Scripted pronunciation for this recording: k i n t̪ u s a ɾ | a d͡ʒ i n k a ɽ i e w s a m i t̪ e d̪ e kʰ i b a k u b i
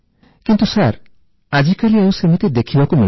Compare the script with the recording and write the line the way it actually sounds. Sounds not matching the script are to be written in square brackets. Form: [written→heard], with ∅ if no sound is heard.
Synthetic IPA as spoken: k i n t̪ u s a ɾ | a d͡ʒ i [n→∅] k a [ɽ→l] i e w s [a→e] m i t̪ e d̪ e kʰ i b a k u [b→m] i